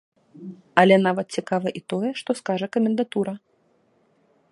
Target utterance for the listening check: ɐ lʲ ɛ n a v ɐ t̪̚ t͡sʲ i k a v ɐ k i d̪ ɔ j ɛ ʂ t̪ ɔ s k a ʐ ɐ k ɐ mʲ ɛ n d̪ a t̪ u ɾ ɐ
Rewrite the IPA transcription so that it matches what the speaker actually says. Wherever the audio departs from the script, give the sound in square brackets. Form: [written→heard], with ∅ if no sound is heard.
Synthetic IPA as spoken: ɐ lʲ ɛ n a v ɐ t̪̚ t͡sʲ i k a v ɐ [k→ʔ] i [d̪→t̪] ɔ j ɛ ʂ t̪ ɔ s k a ʐ ɐ k ɐ mʲ ɛ n d̪ a t̪ u ɾ ɐ

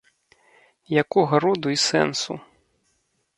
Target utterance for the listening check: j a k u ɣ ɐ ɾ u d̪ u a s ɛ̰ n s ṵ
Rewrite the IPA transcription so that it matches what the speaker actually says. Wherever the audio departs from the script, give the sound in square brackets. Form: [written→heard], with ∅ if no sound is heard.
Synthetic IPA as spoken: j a k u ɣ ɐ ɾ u d̪ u [a→i] s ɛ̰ n s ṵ

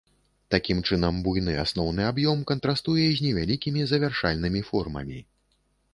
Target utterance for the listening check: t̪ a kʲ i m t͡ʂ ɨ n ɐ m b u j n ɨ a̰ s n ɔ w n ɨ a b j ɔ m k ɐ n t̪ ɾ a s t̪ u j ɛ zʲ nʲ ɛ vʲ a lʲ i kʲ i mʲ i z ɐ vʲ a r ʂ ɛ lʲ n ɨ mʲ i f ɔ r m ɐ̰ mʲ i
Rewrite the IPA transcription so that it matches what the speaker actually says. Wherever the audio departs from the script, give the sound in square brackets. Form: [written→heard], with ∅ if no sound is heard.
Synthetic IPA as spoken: t̪ a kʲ i m t͡ʂ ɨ n ɐ m b u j n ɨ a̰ s n ɔ w n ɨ a b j ɔ m k ɐ n t̪ ɾ a s t̪ u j ɛ zʲ nʲ ɛ vʲ a lʲ i kʲ i mʲ i z ɐ vʲ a r ʂ [ɛ→a] lʲ n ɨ mʲ i f ɔ r m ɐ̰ mʲ i

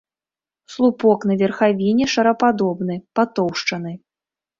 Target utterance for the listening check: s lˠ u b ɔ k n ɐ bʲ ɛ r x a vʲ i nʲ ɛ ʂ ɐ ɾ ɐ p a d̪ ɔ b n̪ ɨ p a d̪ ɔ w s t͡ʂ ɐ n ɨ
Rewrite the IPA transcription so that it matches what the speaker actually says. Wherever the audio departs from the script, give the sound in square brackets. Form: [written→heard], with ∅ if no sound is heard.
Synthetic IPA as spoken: s lˠ u [b→p] ɔ k n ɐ [bʲ→vʲ] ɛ r x a vʲ i nʲ ɛ ʂ ɐ ɾ ɐ p a d̪ ɔ b n̪ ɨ p a [d̪→t̪] ɔ w [s→ʂ] t͡ʂ ɐ n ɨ

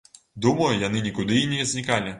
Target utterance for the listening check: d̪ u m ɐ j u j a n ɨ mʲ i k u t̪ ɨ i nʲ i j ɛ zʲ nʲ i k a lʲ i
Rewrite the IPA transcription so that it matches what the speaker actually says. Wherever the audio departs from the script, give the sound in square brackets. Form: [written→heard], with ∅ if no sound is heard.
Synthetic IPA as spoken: d̪ u m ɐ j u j a n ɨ [mʲ→nʲ] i k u [t̪→d̪] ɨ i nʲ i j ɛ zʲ nʲ i k a lʲ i

